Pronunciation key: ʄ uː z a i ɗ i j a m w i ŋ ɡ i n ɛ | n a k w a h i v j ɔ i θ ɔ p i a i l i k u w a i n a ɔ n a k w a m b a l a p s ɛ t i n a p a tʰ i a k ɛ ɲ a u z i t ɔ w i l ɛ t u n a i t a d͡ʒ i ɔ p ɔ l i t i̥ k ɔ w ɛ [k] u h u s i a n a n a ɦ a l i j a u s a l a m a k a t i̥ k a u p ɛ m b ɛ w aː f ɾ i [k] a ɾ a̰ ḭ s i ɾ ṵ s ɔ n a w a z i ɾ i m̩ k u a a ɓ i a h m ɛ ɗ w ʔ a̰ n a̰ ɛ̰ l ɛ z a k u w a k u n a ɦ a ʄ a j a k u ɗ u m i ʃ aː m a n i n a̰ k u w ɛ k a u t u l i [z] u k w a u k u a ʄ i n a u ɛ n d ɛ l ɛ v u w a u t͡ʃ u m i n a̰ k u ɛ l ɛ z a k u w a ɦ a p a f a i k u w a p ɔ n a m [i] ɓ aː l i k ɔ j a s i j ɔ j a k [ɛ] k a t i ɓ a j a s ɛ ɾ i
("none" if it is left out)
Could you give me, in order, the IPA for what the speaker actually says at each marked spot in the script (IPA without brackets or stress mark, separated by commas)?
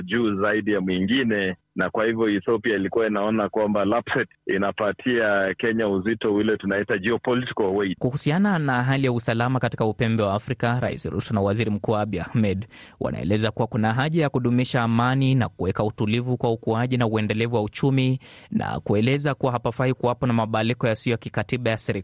k, k, v, a, i